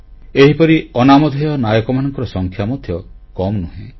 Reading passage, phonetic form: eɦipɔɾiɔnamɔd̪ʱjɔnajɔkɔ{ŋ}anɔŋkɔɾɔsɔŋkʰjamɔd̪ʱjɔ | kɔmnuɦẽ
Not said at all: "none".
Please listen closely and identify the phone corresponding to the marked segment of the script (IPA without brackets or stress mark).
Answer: m